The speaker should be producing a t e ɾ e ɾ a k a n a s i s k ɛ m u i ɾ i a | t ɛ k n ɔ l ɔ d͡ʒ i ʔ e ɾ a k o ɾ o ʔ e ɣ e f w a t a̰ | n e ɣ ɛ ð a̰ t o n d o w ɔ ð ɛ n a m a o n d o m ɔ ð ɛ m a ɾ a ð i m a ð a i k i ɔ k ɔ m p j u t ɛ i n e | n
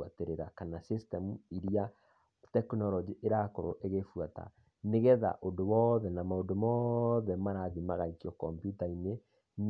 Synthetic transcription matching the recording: a t e ɾ e ɾ a k a n a s i s t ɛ m u i ɾ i a | t ɛ k n ɔ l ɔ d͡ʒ i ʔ e ɾ a k o ɾ o ʔ e ɣ e f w a t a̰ | n e ɣ ɛ ð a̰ ʔ o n d o w ɔ ð ɛ n a m a o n d o m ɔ ð ɛ m a ɾ a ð i m a ɣ a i k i ɔ k ɔ m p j u t a i n e | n